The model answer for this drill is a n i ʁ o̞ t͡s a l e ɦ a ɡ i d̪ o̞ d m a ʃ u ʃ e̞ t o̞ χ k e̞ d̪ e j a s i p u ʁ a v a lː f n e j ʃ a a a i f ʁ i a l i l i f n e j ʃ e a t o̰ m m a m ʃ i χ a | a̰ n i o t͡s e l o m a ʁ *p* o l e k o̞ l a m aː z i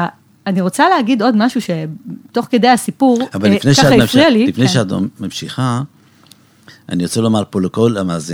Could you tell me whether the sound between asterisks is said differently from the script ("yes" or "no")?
no